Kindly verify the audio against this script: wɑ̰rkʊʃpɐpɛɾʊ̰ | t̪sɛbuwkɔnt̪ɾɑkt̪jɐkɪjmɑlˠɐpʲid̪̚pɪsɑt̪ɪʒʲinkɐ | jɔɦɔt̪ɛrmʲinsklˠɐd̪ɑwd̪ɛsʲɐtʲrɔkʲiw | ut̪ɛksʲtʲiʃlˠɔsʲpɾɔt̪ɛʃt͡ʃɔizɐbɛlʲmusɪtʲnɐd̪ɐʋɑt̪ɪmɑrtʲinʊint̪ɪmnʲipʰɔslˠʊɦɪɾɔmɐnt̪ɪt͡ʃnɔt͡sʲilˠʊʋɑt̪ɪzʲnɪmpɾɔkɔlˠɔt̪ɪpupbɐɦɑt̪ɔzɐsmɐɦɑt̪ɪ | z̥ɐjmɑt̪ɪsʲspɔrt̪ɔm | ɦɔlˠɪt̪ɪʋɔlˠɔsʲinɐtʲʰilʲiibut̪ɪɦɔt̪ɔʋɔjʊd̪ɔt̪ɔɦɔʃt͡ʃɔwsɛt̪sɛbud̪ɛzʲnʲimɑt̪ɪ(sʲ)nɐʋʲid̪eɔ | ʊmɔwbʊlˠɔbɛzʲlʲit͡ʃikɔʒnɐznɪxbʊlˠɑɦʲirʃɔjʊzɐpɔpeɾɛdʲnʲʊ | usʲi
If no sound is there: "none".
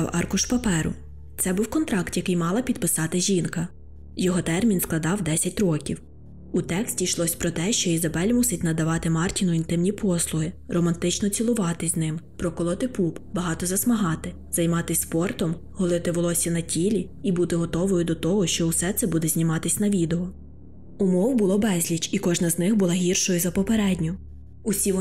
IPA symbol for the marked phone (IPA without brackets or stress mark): sʲ